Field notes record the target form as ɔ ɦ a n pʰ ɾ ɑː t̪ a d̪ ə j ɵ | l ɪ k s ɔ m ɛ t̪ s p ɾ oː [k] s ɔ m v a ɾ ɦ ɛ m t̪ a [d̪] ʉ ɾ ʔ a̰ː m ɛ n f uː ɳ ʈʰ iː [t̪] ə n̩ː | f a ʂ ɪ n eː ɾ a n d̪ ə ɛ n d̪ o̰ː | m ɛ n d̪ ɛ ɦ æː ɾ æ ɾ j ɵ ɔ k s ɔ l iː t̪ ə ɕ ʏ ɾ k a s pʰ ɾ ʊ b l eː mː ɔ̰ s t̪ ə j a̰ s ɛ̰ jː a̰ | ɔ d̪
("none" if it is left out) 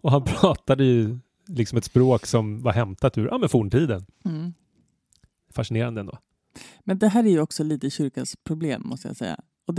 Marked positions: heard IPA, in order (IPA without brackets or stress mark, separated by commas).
k, t̪, d̪